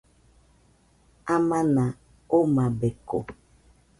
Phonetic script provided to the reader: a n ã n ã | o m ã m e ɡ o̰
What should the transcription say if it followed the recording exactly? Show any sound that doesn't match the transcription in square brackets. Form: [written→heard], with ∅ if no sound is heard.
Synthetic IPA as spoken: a [n→m] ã n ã | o m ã [m→b] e [ɡ→k] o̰